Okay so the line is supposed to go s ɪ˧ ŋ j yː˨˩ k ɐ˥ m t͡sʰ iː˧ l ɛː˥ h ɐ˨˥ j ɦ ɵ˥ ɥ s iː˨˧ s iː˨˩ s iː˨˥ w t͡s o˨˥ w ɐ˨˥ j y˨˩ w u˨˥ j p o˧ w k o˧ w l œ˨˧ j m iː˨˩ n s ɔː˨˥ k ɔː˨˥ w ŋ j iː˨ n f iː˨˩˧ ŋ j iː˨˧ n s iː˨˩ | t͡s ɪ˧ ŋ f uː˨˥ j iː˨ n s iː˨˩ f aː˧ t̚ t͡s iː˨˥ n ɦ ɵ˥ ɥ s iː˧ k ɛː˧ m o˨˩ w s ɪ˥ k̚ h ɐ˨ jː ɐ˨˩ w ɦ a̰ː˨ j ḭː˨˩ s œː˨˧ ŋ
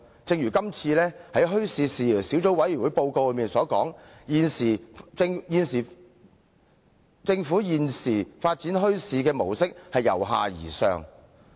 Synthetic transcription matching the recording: t͡s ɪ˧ ŋ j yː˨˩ k ɐ˥ m t͡sʰ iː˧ l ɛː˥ h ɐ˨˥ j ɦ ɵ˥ ɥ s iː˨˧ s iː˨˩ s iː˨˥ w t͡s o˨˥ w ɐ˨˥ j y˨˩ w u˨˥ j p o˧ w k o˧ w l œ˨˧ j m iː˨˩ n s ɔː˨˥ k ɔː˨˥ ŋ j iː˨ n s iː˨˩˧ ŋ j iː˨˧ n s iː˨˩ | t͡s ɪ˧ ŋ f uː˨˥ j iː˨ n s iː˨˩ f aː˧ t̚ t͡s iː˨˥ n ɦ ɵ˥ ɥ s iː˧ k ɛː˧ m o˨˩ w s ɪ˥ k̚ h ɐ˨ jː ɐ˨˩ w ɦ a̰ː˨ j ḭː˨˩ s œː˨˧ ŋ